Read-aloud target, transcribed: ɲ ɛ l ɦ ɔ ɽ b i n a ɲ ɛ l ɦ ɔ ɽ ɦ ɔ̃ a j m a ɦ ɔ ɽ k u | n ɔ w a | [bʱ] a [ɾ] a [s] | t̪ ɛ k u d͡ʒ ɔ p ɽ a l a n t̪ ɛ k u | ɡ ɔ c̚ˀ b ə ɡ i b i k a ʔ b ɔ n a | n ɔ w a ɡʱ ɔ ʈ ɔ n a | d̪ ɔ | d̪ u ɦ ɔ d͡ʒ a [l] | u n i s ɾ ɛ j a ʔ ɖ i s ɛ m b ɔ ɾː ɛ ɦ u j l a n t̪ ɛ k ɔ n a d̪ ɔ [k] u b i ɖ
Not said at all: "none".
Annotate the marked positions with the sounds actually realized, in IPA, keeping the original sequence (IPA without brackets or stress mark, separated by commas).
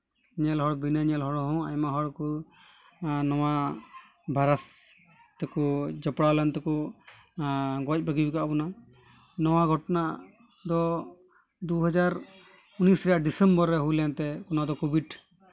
bʱ, ɾ, s, ɾ, k